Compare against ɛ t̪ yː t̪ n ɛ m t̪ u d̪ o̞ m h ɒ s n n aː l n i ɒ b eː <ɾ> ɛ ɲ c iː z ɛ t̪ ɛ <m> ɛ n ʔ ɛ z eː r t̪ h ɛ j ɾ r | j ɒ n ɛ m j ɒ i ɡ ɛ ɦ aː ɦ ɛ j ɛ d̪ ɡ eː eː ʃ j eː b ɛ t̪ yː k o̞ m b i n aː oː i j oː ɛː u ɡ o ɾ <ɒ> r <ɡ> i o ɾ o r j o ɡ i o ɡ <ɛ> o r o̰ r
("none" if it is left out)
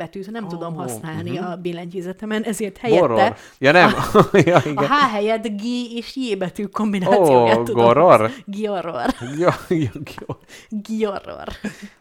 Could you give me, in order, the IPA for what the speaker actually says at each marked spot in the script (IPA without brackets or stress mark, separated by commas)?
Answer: l, m, o, ɡ, i